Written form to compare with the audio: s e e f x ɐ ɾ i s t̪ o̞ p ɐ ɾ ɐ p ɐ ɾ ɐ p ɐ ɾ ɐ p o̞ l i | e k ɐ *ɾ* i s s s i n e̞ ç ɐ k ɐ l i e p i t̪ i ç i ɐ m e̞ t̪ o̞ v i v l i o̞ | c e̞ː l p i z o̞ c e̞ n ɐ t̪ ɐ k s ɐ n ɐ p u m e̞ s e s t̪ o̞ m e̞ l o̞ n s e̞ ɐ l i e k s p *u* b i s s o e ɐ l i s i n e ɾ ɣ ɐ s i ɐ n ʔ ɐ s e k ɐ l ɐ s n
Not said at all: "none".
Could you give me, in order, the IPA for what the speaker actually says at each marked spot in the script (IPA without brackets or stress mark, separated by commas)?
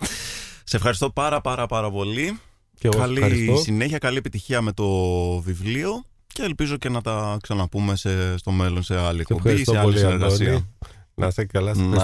l, o